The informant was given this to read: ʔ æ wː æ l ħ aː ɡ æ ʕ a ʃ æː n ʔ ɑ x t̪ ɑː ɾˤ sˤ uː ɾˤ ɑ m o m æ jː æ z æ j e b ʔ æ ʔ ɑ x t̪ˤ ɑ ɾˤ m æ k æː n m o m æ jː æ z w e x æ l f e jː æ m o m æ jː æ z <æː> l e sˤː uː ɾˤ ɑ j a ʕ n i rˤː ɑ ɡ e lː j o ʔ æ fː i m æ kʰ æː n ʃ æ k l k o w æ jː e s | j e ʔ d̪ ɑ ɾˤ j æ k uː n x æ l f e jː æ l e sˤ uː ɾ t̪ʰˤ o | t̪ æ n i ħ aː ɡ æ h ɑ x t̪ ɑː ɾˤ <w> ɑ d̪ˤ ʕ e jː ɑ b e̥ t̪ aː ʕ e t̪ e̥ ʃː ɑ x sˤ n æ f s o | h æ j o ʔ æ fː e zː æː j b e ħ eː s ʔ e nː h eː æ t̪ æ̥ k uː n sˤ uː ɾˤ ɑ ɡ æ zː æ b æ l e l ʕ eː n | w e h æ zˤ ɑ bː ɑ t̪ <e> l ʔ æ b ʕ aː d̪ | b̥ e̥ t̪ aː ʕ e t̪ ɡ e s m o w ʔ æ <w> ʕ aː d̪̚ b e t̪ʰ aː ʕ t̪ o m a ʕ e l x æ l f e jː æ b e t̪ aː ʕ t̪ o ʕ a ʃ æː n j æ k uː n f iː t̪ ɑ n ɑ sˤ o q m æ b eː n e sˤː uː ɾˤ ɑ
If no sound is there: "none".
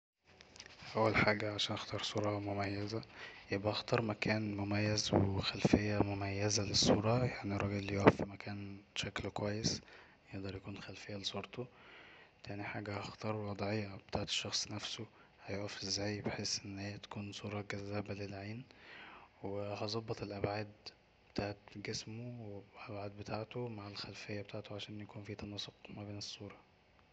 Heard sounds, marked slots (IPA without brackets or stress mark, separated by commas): æ, w, e, b